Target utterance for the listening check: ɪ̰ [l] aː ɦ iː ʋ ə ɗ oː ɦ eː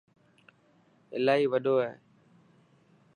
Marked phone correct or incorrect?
correct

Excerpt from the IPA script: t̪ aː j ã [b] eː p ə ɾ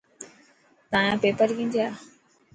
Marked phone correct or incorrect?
incorrect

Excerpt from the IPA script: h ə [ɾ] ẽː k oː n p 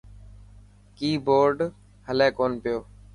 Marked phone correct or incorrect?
incorrect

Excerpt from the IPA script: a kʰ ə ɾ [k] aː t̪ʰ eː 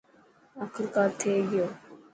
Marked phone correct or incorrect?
correct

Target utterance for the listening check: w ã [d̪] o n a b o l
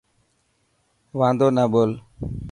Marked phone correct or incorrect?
correct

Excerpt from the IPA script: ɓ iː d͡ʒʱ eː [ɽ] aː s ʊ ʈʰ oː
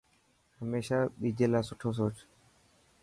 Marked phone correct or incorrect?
incorrect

